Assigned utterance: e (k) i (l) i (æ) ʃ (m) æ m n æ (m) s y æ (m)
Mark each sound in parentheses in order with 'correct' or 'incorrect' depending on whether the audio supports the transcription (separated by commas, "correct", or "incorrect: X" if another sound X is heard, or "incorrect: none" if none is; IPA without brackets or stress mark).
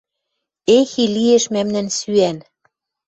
incorrect: x, correct, incorrect: e, correct, incorrect: n, incorrect: n